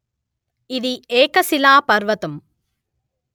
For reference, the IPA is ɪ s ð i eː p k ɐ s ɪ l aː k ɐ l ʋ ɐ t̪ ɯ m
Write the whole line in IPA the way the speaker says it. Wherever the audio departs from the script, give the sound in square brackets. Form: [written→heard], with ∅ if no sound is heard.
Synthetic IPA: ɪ [s→∅] ð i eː [p→∅] k ɐ s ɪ l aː [k→p] ɐ [l→ɾ] ʋ ɐ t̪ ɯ m